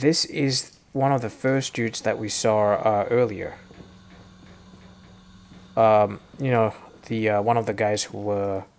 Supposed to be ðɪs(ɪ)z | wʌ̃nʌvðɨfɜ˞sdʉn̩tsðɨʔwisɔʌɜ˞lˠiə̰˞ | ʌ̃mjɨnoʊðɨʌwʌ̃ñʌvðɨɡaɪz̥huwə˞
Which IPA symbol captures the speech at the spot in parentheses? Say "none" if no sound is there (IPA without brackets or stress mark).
ɪ